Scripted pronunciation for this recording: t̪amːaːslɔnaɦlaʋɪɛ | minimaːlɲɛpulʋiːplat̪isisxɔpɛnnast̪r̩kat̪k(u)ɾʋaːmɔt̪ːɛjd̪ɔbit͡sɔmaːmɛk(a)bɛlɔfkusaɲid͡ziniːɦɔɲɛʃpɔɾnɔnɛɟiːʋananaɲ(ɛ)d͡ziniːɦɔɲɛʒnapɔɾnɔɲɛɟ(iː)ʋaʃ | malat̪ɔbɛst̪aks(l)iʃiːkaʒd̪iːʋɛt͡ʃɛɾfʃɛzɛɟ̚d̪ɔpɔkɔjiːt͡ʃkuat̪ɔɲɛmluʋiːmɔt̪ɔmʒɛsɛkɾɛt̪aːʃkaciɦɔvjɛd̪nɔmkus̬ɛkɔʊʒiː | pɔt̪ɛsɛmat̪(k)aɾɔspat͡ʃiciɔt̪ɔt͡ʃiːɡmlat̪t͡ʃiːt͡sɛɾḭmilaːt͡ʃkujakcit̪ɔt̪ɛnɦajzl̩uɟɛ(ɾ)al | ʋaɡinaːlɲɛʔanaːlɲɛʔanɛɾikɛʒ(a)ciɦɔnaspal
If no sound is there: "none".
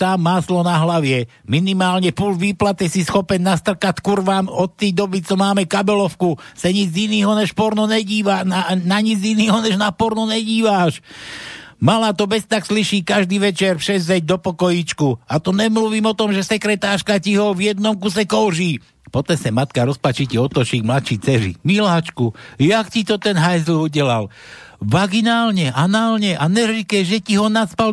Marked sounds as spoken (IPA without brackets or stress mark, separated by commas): u, a, i, iː, l, k, l, ɛ